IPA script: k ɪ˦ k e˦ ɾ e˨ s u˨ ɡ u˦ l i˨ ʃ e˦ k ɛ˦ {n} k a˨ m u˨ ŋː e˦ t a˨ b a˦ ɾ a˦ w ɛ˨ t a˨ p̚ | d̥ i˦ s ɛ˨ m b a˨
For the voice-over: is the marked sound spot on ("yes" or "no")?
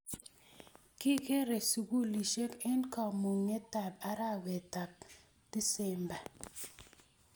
yes